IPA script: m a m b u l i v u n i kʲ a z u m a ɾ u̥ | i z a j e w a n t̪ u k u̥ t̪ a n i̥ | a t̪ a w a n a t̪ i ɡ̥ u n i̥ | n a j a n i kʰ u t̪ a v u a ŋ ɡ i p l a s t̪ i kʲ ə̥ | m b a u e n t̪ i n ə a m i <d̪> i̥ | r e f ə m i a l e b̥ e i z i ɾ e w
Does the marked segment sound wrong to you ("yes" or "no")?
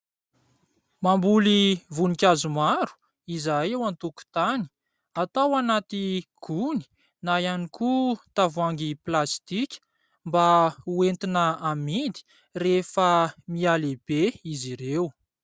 no